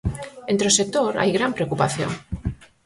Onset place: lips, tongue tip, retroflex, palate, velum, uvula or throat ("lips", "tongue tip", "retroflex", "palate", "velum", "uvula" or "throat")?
tongue tip